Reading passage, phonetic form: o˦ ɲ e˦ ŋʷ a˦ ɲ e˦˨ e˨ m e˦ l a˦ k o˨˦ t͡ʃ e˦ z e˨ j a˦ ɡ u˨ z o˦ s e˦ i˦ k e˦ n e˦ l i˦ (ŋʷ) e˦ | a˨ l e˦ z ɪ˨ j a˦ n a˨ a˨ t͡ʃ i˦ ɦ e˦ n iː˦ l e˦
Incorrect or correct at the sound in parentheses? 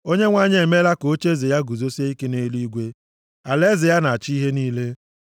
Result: incorrect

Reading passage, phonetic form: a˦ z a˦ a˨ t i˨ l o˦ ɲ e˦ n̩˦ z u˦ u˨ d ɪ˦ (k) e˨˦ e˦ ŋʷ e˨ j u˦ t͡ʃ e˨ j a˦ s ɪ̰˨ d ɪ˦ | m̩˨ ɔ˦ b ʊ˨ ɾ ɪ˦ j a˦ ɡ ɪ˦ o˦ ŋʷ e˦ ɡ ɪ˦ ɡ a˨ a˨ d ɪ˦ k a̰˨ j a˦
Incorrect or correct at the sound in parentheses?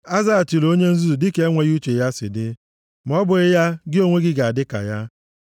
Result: correct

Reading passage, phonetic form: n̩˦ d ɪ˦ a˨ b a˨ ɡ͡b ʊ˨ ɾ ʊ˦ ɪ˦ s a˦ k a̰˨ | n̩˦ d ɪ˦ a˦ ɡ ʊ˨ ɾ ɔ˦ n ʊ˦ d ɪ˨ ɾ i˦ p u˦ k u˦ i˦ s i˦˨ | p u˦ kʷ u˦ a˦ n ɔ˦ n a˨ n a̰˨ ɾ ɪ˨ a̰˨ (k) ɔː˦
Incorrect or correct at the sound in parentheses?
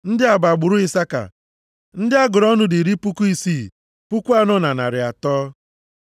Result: incorrect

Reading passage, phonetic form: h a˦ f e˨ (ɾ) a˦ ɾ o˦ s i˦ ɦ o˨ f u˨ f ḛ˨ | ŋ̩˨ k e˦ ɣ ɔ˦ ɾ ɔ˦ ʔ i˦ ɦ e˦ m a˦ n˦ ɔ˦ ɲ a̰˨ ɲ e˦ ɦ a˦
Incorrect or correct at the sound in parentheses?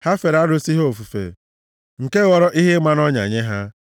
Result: correct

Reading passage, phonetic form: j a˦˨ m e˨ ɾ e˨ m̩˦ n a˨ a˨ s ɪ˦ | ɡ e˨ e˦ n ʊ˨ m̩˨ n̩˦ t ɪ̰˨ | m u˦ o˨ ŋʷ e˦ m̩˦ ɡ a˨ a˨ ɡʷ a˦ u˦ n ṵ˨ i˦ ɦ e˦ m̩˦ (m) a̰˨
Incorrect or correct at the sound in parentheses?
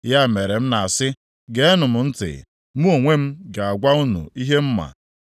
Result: correct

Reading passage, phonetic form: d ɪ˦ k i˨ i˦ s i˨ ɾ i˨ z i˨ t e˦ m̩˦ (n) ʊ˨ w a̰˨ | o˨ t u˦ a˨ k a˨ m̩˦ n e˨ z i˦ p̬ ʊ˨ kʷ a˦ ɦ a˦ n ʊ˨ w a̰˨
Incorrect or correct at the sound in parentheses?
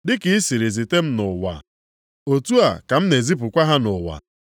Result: correct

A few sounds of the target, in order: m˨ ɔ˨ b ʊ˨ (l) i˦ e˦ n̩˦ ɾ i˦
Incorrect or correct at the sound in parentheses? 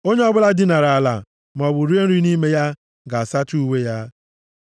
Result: incorrect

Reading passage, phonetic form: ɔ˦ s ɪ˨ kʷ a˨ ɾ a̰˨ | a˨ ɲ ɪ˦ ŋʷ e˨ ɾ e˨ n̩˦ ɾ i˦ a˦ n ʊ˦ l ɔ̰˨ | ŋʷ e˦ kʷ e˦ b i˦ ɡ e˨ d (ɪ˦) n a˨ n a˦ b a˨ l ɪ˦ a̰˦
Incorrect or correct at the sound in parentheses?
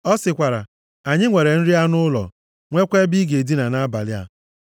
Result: incorrect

